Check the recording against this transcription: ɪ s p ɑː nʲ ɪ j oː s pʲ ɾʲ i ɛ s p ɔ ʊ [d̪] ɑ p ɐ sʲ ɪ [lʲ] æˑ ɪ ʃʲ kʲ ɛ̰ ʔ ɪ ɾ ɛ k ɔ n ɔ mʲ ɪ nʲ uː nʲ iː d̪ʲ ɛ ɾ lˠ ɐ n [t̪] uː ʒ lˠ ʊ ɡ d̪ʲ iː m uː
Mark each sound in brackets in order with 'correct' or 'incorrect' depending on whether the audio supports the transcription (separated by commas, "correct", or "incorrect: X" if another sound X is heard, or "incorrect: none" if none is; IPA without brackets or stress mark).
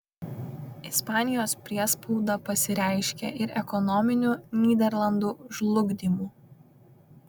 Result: correct, incorrect: ɾʲ, incorrect: d̪